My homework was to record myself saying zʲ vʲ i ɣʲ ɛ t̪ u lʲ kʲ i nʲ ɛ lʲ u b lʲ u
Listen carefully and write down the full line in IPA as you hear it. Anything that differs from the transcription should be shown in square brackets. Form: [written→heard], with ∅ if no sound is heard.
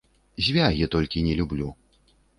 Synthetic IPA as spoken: zʲ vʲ [i→a] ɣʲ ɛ t̪ [u→ɔ] lʲ kʲ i nʲ ɛ lʲ u b lʲ u